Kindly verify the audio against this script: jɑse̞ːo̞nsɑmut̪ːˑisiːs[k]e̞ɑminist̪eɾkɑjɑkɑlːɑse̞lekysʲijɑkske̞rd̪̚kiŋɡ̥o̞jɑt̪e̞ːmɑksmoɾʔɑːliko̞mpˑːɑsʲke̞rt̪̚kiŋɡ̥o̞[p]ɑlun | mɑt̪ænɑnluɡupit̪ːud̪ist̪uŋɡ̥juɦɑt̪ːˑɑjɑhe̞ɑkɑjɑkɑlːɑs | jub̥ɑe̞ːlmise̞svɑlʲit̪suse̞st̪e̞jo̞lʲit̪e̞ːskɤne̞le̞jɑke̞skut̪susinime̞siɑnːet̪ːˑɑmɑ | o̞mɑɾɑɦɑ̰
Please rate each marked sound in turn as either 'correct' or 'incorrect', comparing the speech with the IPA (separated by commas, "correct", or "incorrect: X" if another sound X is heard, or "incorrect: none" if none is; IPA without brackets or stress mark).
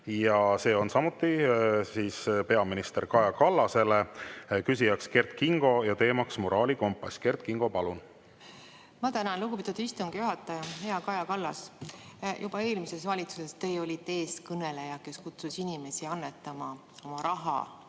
incorrect: p, correct